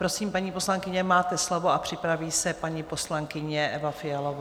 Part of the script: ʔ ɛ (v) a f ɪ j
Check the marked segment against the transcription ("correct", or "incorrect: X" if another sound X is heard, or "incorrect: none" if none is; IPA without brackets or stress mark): correct